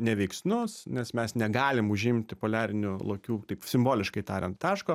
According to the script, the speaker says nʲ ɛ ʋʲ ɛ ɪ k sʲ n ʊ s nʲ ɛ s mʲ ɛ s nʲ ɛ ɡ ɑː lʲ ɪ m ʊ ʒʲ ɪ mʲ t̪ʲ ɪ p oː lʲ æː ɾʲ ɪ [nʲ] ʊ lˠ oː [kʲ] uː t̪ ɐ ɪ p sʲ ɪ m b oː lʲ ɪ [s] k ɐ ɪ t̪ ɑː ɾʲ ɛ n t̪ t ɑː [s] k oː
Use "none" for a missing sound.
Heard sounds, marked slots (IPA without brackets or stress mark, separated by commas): nʲ, kʲ, ʃ, ʃ